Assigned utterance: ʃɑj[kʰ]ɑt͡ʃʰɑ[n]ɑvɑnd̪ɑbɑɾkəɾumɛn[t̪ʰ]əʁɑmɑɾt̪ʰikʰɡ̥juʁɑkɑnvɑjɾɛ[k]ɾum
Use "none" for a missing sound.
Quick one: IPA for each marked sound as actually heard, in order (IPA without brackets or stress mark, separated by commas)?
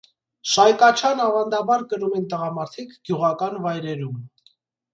k, n, t̪, none